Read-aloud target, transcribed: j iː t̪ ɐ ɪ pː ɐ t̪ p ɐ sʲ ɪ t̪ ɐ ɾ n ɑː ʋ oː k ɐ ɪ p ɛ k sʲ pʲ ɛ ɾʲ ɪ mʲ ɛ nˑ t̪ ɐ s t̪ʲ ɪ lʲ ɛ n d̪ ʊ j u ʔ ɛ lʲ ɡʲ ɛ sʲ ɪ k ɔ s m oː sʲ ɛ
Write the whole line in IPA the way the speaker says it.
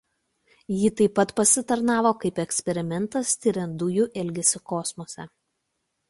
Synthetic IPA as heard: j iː t̪ ɐ ɪ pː ɐ t̪ p ɐ sʲ ɪ t̪ ɐ ɾ n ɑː ʋ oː k ɐ ɪ p ɛ k sʲ pʲ ɛ ɾʲ ɪ mʲ ɛ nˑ t̪ ɐ s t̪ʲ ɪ ɾʲ ɛ n d̪ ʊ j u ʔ ɛ lʲ ɡʲ ɛ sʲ ɪ k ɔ s m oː sʲ ɛ